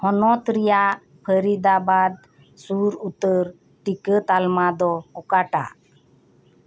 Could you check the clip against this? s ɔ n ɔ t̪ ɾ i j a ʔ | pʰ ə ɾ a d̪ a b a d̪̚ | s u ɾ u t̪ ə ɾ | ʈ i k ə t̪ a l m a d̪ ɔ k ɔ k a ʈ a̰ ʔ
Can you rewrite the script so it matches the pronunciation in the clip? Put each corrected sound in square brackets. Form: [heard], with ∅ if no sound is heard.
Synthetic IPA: [h] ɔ n ɔ t̪ ɾ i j a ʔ | pʰ ə ɾ [i] d̪ a b a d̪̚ | s u ɾ u t̪ ə ɾ | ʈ i k ə t̪ a l m a d̪ ɔ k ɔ k a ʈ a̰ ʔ